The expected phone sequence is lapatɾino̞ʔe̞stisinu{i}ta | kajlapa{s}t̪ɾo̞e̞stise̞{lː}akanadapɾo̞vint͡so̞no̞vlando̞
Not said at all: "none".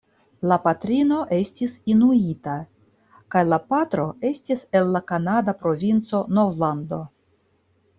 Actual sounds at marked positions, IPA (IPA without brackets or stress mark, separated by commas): i, none, lː